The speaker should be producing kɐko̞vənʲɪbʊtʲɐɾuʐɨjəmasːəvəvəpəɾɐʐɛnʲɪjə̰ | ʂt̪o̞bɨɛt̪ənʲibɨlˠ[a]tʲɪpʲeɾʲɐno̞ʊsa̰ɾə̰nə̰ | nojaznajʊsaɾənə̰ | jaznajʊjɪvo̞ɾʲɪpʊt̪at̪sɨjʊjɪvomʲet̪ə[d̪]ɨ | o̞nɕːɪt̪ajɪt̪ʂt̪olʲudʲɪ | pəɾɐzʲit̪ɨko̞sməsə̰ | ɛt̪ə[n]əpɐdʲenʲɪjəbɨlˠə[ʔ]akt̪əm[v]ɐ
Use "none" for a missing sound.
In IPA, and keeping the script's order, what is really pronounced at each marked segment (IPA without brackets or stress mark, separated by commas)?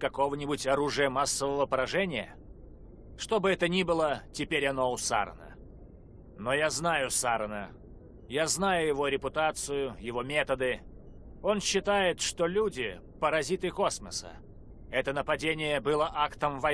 ə, d̪, n, ʔ, v